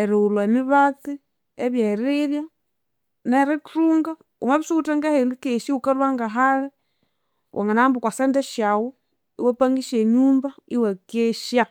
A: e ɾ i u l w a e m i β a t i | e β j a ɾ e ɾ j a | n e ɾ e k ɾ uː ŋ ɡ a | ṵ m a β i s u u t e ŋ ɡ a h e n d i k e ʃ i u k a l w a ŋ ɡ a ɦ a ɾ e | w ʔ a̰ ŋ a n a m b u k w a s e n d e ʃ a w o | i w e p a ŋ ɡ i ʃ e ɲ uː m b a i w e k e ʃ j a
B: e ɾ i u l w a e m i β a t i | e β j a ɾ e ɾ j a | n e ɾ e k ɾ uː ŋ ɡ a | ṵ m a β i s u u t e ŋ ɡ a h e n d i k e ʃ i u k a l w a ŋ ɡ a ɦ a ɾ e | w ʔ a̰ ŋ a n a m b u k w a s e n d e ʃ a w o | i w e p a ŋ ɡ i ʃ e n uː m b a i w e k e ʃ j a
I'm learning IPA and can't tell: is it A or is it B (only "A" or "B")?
A